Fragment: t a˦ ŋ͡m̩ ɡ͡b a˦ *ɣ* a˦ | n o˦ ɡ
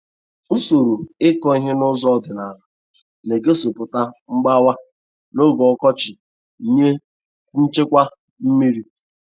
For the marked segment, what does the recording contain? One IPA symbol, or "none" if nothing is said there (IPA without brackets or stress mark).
w